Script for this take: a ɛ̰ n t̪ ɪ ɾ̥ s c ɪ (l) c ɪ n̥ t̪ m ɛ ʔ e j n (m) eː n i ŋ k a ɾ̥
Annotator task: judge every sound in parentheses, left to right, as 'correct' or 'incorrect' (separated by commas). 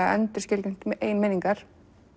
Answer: correct, correct